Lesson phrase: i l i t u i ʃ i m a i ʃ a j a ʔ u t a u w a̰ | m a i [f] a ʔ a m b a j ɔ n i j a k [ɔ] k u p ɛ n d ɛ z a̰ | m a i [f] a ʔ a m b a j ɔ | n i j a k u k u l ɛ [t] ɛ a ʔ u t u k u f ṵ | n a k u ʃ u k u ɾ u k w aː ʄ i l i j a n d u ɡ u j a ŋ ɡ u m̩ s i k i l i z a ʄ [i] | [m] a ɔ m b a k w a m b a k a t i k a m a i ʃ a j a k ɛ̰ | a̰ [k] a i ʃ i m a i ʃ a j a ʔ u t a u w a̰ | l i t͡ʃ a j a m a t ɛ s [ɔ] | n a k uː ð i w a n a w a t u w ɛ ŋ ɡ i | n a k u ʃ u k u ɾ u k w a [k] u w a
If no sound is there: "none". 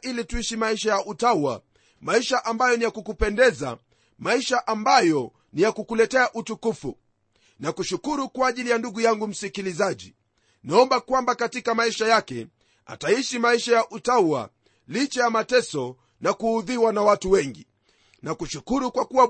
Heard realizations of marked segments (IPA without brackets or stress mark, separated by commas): ʃ, u, ʃ, t, i, n, t, ɔ, k